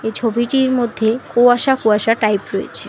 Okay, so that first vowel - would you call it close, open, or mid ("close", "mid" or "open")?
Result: mid